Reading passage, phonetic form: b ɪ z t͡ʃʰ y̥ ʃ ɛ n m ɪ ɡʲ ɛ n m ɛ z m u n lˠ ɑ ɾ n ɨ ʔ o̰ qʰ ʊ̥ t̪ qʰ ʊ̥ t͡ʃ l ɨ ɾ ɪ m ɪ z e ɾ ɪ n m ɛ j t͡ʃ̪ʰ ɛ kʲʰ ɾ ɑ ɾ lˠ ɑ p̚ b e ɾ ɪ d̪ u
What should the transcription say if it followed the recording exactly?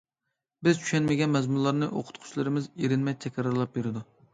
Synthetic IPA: b ɪ z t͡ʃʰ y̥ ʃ ɛ n m ɪ ɡʲ ɛ n m ɛ z m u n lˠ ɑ ɾ n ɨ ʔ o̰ qʰ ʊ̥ t̪ qʰ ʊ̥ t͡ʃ l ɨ ɾ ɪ m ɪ z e ɾ ɪ n m ɛ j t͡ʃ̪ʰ ɛ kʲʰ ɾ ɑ ɾ lˠ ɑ p̚ b e ɾ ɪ d̪ u